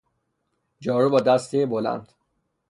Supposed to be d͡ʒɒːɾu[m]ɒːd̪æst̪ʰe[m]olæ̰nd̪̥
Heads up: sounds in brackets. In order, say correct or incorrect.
incorrect: b, incorrect: b

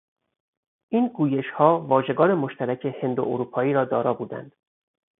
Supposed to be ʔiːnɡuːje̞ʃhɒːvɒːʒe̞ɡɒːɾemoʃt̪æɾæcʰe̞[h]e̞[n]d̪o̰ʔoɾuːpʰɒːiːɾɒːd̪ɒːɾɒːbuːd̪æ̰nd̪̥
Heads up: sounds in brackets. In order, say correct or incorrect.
correct, correct

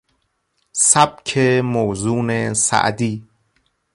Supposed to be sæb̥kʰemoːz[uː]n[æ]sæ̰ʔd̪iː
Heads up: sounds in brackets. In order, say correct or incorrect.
correct, incorrect: e

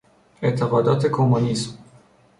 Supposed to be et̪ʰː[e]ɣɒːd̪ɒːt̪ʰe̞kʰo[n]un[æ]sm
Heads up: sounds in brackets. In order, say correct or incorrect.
correct, incorrect: m, incorrect: i

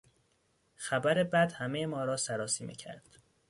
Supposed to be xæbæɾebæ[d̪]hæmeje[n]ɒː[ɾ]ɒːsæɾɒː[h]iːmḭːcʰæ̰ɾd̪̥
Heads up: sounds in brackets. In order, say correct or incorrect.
correct, incorrect: m, correct, incorrect: s

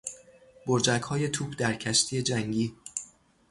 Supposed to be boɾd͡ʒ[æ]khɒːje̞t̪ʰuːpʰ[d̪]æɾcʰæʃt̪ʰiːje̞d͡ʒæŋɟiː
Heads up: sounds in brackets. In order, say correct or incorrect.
correct, correct

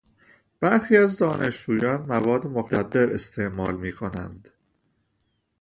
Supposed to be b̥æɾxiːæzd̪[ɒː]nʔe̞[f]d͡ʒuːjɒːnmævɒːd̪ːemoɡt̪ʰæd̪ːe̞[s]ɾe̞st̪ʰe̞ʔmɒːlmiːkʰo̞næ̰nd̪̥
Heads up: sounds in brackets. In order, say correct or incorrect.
correct, incorrect: ʃ, incorrect: none

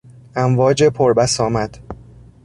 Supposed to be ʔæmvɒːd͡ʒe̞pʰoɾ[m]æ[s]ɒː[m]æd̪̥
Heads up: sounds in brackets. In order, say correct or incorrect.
incorrect: b, correct, correct

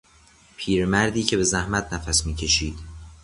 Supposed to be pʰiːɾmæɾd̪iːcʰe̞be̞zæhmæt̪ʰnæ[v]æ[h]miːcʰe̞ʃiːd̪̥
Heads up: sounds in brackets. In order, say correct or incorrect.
incorrect: f, incorrect: s

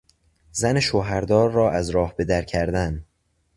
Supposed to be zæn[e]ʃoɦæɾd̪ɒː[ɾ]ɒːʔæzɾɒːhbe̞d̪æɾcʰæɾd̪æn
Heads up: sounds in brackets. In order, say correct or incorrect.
correct, incorrect: ɾː

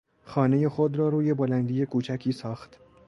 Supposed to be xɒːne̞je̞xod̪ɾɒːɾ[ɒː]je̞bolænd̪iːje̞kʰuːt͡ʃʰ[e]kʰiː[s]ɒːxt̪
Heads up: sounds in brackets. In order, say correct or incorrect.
incorrect: uː, incorrect: æ, correct

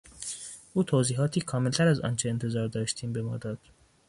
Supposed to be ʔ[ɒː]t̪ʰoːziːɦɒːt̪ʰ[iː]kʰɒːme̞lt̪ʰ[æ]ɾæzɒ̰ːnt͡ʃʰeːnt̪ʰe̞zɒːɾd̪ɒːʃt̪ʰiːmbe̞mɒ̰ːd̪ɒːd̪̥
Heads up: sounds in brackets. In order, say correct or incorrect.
incorrect: uː, correct, correct

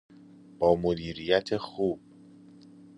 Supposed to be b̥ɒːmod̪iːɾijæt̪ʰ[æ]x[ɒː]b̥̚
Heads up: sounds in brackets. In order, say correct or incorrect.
incorrect: e, incorrect: uː

